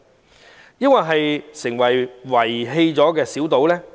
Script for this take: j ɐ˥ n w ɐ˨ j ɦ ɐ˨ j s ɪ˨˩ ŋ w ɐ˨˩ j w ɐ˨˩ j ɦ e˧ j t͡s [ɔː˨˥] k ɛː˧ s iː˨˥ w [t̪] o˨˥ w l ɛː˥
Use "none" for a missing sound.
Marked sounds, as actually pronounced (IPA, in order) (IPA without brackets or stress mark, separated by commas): ɔː˨˥, t̪